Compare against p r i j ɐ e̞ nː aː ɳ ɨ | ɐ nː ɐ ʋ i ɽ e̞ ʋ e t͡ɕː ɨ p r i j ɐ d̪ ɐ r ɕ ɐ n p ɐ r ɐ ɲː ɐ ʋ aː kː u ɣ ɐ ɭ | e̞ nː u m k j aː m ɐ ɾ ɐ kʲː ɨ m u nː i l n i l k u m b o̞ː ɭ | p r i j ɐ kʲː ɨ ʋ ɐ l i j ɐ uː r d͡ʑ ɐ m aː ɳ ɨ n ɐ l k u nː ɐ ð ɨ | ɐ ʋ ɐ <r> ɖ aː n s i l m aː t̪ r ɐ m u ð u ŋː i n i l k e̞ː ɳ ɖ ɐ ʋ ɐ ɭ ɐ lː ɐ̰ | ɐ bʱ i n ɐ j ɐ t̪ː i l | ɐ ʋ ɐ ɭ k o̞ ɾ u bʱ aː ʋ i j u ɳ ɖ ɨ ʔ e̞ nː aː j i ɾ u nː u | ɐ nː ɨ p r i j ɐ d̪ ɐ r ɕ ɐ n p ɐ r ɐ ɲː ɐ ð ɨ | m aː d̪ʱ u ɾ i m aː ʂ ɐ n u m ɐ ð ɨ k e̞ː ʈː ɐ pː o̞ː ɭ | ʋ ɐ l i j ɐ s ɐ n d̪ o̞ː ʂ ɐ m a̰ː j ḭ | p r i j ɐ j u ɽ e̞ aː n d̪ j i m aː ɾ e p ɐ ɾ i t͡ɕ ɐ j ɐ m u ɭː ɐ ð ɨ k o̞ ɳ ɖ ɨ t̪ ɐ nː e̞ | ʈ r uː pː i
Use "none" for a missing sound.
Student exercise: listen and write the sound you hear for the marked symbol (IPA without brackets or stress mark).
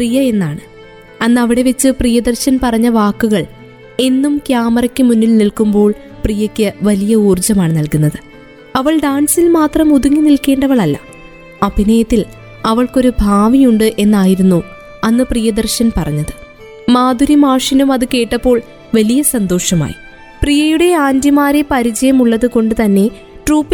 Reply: ɭ